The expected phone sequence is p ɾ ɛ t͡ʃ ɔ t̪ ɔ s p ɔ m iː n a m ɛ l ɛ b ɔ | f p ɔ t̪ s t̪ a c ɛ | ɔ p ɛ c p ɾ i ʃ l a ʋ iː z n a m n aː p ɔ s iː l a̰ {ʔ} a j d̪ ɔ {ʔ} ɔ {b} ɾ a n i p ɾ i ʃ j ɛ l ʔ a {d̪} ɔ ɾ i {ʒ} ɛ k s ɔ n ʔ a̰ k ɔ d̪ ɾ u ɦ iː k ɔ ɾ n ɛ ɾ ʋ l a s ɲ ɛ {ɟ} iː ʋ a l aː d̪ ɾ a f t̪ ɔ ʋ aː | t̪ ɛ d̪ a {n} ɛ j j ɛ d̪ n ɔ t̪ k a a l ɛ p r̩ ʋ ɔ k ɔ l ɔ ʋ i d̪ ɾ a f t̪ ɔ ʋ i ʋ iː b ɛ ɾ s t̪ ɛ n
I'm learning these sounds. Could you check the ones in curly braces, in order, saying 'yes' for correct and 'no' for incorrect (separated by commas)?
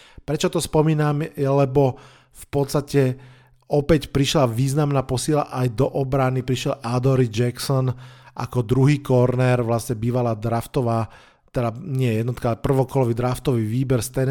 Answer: yes, yes, yes, yes, no, no, no